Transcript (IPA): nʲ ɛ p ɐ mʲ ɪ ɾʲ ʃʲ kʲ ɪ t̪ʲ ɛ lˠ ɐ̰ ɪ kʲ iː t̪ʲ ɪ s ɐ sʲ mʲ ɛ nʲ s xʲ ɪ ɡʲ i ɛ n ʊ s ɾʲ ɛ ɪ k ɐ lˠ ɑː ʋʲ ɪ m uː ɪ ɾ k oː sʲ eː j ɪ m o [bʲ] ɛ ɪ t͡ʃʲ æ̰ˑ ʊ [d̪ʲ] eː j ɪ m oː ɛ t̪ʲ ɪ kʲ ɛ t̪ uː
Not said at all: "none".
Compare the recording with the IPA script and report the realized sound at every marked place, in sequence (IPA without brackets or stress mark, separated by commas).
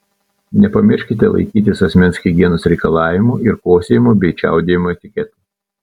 bʲ, d̪ʲ